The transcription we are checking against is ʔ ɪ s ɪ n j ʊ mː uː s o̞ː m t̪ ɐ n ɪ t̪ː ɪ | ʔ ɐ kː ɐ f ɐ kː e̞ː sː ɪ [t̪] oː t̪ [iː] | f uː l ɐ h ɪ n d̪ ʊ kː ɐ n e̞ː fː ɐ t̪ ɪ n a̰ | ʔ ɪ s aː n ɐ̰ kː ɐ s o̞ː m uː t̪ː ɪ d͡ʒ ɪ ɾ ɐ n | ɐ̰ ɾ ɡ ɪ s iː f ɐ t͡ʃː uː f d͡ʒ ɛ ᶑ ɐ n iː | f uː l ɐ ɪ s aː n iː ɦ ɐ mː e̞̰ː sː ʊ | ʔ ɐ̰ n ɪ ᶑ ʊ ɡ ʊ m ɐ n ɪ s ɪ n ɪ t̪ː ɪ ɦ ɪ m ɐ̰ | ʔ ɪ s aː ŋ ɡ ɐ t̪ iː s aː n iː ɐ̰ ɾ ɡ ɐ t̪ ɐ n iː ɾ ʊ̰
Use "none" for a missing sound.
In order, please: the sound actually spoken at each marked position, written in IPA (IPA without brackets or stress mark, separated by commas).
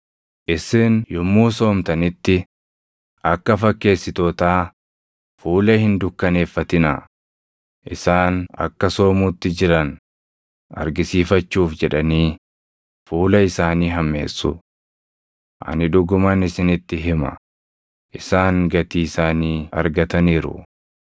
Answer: t̪, aː